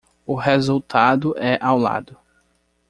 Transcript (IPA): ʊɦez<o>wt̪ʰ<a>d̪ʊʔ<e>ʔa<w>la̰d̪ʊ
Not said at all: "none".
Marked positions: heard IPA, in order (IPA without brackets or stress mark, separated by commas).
u, a, ɛ, w